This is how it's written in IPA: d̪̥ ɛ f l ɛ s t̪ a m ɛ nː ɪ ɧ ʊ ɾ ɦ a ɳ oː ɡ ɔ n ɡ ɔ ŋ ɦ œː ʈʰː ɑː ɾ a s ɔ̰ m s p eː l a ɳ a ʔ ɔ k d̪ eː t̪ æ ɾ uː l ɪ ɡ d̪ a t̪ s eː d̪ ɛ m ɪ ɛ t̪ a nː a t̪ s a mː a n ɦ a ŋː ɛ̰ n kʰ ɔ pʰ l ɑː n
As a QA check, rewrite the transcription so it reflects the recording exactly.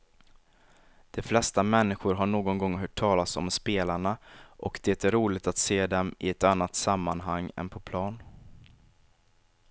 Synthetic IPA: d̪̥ ɛ f l ɛ s t̪ a m ɛ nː ɪ ɧ ʊ ɾ ɦ a ɳ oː ɡ ɔ n ɡ ɔ ŋ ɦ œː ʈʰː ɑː l a s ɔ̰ m s p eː l a ɳ a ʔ ɔ k d̪ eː t̪ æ ɾ uː l ɪ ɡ t̪ a t̪ s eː d̪ ɛ m ɪ ɛ t̪ a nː a t̪ s a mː a n ɦ a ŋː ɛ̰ n pʰ ɔ pʰ l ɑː n